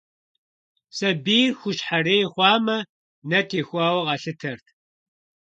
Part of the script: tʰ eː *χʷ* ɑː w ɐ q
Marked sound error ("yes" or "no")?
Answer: yes